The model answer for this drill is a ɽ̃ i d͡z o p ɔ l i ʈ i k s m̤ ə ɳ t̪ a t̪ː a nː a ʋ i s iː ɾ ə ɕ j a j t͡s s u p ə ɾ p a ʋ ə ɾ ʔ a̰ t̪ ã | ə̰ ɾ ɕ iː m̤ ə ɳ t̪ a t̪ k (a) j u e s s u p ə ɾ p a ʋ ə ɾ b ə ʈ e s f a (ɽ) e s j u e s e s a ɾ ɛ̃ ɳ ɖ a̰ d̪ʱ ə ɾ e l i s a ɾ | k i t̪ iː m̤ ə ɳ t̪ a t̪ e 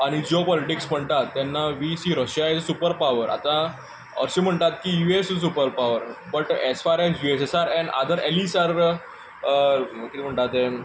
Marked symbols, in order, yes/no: no, no

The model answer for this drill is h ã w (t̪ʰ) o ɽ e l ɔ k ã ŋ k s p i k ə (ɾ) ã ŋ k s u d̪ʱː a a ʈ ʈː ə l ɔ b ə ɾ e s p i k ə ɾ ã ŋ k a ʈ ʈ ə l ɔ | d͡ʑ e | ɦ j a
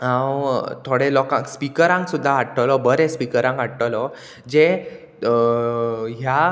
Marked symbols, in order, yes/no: yes, yes

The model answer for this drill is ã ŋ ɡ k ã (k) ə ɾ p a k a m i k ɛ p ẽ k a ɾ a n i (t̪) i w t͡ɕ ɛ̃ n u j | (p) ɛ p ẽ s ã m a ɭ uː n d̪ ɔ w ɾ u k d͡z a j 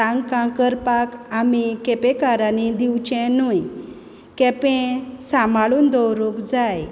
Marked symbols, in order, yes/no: yes, no, no

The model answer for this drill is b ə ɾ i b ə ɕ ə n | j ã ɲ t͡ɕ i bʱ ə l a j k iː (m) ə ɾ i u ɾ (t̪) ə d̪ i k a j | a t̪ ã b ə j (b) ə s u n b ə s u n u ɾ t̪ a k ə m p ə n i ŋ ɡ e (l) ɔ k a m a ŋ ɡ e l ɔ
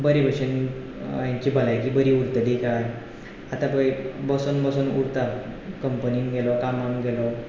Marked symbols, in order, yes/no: no, yes, yes, yes

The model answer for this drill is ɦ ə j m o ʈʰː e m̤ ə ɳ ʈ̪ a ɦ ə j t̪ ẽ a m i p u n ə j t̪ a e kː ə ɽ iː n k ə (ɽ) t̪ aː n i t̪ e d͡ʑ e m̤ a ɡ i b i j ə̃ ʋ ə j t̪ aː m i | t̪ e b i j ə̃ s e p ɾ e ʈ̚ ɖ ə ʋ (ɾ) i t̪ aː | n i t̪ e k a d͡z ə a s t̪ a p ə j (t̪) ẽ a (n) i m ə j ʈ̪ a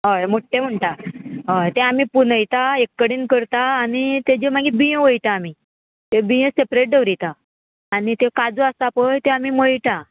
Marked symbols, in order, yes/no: no, yes, yes, no

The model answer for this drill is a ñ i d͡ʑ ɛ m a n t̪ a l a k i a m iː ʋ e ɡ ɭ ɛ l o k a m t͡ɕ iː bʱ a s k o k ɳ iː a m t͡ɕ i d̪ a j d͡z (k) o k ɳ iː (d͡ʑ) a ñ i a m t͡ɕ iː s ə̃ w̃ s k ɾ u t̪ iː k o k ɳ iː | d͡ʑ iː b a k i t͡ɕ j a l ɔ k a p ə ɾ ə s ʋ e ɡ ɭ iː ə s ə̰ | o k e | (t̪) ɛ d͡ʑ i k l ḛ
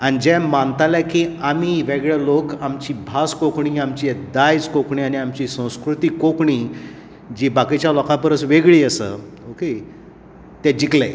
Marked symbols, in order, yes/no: yes, no, yes

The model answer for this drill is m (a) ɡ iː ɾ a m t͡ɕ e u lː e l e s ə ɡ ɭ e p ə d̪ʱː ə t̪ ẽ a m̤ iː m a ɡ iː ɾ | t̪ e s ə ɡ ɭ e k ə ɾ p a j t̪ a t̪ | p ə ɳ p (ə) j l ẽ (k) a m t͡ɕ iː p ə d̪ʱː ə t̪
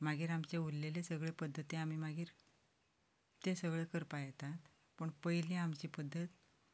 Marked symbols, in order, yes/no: yes, yes, no

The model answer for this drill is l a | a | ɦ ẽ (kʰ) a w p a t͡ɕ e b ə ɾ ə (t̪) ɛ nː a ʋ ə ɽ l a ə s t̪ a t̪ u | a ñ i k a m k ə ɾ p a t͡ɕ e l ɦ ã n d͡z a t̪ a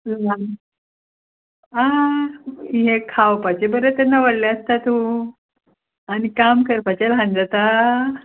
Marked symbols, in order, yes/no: yes, yes

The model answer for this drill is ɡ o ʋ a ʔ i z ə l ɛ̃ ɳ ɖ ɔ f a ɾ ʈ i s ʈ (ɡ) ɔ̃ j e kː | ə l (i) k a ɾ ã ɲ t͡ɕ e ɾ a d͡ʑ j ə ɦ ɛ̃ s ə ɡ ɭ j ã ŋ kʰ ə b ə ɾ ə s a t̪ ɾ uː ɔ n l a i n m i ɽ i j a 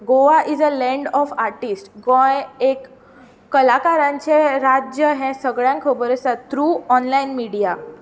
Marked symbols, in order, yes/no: yes, no

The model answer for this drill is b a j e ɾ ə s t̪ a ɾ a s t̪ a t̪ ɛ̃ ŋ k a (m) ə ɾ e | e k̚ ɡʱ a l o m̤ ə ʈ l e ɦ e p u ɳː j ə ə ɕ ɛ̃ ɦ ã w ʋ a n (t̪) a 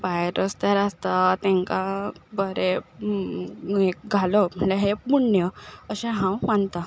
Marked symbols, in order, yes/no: no, yes

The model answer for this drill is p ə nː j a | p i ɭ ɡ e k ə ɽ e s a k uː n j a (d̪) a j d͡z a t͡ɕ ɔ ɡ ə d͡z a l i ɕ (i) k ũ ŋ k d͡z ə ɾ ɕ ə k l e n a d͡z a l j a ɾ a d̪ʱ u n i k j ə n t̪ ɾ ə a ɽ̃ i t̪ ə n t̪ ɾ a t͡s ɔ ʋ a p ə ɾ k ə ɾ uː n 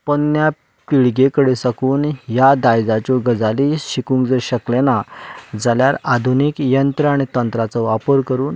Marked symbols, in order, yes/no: yes, yes

